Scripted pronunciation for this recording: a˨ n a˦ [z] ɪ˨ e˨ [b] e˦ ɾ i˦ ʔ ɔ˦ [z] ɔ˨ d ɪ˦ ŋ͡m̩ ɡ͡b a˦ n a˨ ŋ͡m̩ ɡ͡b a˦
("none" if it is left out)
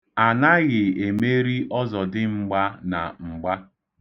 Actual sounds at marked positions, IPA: ɣ, m, z

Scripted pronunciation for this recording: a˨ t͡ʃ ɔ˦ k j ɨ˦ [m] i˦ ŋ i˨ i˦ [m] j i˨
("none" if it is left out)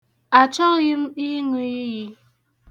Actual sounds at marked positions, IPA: m, none

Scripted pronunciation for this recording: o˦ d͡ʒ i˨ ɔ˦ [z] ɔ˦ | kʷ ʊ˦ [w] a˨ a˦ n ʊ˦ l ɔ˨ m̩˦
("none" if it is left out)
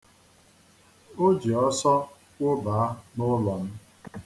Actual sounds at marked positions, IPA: s, b

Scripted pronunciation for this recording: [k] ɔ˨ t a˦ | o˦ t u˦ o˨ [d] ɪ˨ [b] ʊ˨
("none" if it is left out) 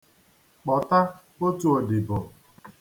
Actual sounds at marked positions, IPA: k͡p, d, b

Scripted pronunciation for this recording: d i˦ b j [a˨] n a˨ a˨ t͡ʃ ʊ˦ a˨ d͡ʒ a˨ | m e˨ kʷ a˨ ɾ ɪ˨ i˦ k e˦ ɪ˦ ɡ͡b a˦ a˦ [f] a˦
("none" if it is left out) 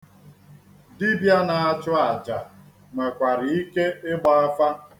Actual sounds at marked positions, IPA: a˦, f

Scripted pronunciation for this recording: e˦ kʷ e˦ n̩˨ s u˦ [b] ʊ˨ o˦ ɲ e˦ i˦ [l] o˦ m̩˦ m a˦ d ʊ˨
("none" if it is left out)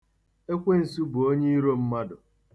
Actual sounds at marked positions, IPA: b, ɾ

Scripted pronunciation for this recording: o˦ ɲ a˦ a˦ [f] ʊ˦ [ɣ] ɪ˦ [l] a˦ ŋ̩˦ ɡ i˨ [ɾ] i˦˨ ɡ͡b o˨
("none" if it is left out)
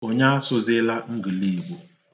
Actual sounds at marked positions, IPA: s, z, l, l

